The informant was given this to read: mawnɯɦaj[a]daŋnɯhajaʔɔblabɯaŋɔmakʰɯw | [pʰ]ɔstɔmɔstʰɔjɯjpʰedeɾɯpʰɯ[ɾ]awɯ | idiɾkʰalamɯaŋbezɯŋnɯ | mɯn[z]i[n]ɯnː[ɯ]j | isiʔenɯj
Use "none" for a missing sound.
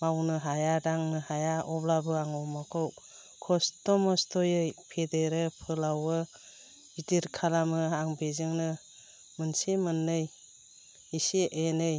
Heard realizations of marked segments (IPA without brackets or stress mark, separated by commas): a, kʰ, l, s, m, ɯ